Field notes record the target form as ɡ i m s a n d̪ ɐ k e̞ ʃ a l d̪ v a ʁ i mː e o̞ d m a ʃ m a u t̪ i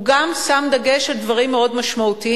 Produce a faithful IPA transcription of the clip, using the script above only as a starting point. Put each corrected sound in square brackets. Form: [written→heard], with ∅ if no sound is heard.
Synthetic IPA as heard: ɡ [i→a] m s a [n→m] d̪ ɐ [k→ɡ] e̞ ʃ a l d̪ v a ʁ i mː e o̞ d m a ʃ m a u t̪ i